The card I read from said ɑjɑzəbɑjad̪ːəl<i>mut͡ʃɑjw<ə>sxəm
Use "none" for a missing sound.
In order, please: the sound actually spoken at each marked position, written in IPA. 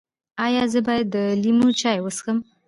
i, ə

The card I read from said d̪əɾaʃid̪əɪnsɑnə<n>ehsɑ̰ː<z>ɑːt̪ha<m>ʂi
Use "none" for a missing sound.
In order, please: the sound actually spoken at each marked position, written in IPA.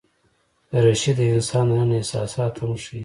n, s, m

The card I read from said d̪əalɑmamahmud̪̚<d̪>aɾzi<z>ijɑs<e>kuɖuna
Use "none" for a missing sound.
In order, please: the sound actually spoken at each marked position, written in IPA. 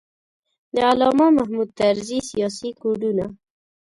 t̪, s, i

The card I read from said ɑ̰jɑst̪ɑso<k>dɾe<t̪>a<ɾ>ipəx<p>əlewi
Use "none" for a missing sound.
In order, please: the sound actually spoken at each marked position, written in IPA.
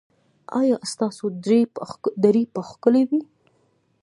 none, d̪, ɾ, k

